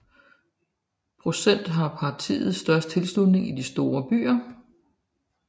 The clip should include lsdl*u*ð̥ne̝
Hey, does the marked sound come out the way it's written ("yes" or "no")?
yes